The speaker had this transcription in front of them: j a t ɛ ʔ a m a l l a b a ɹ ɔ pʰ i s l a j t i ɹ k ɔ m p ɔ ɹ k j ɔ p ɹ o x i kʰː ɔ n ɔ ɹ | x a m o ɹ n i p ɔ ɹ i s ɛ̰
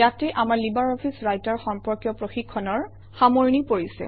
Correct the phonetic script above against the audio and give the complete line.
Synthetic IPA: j a t ɛ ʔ a m a ɹ l i b a ɹ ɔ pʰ i s ɹ a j t a ɹ x ɔ m p ɔ ɹ k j ɔ p ɹ o x i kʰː ɔ n ɔ ɹ | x a m o ɹ n i p o ɹ i s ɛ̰